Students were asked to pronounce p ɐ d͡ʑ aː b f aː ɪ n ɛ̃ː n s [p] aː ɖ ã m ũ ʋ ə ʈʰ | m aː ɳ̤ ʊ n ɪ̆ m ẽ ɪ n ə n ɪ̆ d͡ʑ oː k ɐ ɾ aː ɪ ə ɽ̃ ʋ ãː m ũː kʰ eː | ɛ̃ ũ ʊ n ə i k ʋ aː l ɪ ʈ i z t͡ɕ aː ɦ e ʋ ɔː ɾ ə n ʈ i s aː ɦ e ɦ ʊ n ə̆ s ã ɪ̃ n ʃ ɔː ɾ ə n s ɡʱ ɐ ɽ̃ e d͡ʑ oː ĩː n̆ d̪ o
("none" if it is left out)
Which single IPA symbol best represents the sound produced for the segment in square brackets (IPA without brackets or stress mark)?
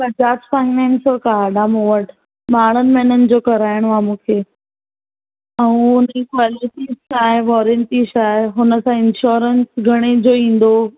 k